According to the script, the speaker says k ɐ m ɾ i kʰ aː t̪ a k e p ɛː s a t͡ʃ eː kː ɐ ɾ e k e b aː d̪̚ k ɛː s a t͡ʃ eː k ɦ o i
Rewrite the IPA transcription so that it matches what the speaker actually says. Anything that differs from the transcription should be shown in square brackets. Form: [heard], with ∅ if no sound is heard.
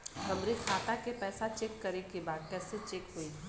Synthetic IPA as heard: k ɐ m ɾ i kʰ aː t̪ a k e p ɛː s a t͡ʃ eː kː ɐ ɾ e k e b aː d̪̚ k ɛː s [e] t͡ʃ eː k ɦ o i